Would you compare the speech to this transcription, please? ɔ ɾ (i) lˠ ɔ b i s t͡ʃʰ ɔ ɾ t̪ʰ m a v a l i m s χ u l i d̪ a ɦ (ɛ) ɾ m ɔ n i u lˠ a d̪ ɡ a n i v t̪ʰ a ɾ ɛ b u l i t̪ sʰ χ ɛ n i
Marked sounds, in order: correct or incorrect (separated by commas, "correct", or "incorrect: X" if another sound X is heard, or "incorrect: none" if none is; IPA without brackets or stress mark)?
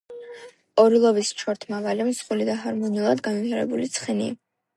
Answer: correct, incorrect: a